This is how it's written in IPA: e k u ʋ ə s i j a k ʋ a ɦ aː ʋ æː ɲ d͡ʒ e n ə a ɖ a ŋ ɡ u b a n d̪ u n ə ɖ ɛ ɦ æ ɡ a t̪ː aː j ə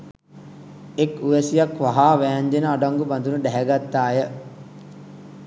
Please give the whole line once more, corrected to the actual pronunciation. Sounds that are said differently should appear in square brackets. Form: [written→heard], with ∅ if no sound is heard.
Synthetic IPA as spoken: e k u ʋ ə s i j a k ʋ a ɦ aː ʋ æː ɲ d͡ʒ e n ə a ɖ a ŋ ɡ u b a n d̪ u n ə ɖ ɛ ɦ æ ɡ a t̪ː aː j ə

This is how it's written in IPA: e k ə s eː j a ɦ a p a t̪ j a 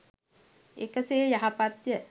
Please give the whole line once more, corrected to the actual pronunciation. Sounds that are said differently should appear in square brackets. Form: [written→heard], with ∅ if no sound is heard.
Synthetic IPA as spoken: e k ə s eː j a ɦ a p a t̪ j [a→ə]

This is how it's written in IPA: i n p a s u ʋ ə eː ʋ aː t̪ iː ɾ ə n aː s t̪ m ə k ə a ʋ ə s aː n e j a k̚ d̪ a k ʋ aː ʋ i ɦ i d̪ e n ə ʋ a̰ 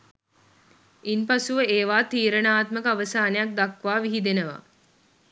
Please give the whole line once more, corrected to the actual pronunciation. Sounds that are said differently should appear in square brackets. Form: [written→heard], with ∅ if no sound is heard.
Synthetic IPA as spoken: i n p a s u ʋ ə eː ʋ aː t̪ iː ɾ ə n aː [s→∅] t̪ m ə k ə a ʋ ə s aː n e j a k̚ d̪ a k ʋ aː ʋ i ɦ i d̪ e n ə ʋ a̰

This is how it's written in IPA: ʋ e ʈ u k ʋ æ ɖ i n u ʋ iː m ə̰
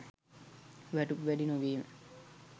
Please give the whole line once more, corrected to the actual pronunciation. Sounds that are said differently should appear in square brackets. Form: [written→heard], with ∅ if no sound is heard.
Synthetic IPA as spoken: ʋ [e→æ] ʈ u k ʋ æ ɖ i n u ʋ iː m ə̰

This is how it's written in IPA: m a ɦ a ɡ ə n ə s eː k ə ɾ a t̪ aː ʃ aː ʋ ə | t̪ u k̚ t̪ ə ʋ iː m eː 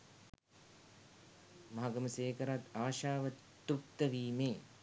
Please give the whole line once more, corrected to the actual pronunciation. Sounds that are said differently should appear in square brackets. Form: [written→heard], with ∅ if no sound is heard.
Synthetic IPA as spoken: m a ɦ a ɡ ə [n→m] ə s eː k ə ɾ a t̪ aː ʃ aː ʋ ə | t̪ u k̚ t̪ ə ʋ iː m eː

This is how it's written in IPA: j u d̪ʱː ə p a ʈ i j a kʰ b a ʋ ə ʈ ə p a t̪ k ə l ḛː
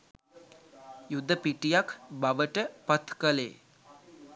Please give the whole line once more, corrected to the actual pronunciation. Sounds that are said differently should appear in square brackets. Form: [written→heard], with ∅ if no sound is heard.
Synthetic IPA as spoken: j u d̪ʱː ə p [a→i] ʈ i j a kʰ b a ʋ ə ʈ ə p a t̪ k ə l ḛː

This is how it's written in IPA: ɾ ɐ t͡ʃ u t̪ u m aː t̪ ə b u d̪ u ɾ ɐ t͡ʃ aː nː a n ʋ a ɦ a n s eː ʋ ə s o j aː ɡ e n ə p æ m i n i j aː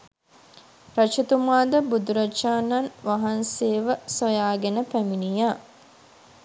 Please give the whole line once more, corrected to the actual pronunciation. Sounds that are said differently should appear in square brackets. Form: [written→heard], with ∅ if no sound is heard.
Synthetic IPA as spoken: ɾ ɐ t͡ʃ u t̪ u m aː [t̪→d̪] ə b u d̪ u ɾ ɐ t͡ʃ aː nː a n ʋ a ɦ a n s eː ʋ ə s o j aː ɡ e n ə p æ m i n i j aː

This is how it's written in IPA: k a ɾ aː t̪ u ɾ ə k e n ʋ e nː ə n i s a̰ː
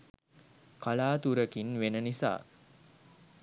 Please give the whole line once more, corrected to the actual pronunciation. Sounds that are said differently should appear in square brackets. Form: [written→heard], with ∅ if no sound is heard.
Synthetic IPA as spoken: k a [ɾ→l] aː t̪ u ɾ ə k [e→i] n ʋ e [nː→n] ə n i s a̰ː

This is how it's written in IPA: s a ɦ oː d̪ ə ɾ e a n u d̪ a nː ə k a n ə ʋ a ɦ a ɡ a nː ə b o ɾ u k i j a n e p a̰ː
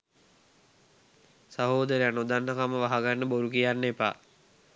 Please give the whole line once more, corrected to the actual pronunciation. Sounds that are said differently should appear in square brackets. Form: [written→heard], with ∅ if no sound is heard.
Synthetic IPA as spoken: s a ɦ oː d̪ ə ɾ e a n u d̪ a nː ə k a [n→m] ə ʋ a ɦ a ɡ a nː ə b o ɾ u k i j a [n→nː] e p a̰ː

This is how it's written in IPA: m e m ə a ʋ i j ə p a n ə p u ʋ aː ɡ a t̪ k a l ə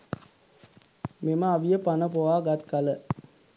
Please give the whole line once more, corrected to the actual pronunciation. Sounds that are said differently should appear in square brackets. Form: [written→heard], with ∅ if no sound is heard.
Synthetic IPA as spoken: m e m ə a ʋ i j ə p a n ə p [u→o] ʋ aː ɡ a t̪ k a l ə

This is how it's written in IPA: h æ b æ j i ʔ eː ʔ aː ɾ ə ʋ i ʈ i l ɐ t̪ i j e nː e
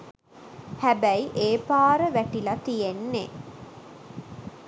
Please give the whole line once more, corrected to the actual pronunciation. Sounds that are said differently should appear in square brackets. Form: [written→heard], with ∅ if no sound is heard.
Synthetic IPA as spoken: h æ b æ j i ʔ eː [ʔ→p] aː ɾ ə ʋ [i→æ] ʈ i l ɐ t̪ i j e nː e

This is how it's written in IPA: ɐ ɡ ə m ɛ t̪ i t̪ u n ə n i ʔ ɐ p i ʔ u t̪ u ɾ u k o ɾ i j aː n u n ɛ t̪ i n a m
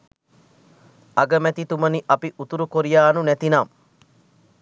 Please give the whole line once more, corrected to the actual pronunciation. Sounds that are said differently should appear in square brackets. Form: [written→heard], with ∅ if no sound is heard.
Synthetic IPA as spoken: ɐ ɡ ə m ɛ t̪ i t̪ u [n→m] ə n i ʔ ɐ p i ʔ u t̪ u ɾ u k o ɾ i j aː n u n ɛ t̪ i n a m

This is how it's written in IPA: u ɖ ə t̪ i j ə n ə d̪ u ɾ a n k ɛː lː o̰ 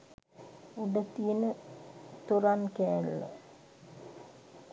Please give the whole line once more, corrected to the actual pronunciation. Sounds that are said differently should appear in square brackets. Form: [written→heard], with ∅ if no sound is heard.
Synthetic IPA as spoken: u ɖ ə t̪ i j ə n ə [d̪→t̪] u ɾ a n k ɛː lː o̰

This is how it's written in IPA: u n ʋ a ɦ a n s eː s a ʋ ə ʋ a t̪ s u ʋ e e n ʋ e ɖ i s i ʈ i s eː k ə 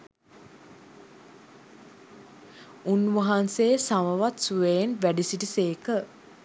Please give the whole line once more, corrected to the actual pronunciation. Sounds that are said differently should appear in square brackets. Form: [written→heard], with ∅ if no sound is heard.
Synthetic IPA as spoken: u n ʋ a ɦ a n s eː s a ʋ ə ʋ a t̪ s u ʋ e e n ʋ [e→æ] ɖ i s i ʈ i s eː k ə

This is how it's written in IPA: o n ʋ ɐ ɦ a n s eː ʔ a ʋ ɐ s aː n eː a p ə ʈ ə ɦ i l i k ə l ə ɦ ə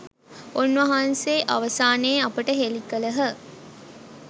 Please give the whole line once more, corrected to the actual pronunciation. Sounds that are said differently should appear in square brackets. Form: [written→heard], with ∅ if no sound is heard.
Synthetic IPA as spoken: o n ʋ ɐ ɦ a n s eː ʔ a ʋ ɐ s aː n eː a p ə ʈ ə ɦ [i→e] l i k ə l ə ɦ ə

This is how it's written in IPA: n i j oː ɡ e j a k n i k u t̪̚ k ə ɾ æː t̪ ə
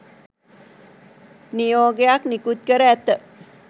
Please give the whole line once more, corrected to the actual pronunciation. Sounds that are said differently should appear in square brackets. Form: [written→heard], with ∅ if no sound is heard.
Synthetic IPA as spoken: n i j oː ɡ e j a k n i k u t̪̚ k ə ɾ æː t̪ ə

